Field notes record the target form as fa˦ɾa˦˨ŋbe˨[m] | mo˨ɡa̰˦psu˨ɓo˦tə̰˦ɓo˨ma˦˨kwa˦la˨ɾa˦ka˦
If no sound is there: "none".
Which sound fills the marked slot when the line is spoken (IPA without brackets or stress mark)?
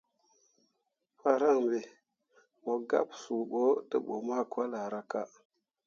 none